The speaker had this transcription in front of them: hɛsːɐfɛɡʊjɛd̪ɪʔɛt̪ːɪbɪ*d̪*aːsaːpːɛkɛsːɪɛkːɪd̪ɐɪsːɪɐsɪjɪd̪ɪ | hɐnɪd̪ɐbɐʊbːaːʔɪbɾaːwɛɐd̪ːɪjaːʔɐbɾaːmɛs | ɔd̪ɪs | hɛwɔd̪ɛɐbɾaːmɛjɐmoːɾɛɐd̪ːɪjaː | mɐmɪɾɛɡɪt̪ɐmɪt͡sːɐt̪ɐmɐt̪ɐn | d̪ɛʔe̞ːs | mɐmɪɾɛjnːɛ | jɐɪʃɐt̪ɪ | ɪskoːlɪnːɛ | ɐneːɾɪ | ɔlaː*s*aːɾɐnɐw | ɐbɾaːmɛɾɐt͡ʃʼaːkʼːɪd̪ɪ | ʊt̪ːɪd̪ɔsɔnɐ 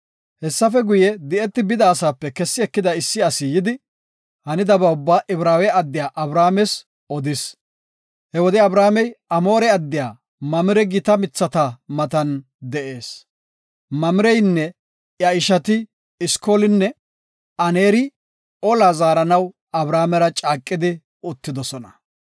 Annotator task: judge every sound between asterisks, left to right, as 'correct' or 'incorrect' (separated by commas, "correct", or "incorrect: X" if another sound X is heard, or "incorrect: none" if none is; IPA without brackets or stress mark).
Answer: correct, incorrect: z